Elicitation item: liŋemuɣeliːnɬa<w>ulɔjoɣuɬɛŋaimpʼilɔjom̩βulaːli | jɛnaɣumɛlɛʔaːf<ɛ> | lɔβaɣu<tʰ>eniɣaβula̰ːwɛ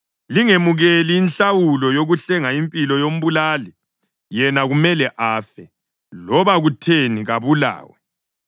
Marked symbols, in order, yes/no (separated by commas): yes, yes, yes